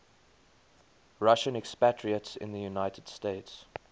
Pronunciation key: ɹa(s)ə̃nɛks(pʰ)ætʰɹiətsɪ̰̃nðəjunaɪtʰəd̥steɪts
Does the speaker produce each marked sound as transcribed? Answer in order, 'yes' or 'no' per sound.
no, no

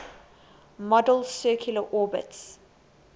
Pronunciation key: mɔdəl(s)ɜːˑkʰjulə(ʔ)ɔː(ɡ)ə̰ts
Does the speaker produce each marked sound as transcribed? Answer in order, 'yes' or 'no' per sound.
yes, yes, no

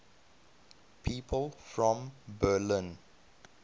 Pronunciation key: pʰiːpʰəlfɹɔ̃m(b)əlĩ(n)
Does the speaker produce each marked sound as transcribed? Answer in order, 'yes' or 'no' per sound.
yes, yes

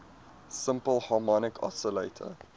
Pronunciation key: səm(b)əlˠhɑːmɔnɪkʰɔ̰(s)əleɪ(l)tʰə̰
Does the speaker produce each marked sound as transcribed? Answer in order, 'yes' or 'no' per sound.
no, yes, no

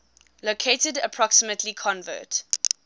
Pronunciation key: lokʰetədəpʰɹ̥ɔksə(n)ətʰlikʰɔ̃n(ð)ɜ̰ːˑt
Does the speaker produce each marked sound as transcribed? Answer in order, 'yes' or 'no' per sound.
no, no

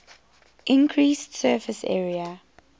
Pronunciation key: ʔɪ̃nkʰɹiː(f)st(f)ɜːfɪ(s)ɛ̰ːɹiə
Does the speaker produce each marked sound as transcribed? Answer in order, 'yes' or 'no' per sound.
no, no, yes

